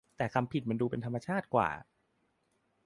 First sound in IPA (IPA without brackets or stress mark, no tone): t̪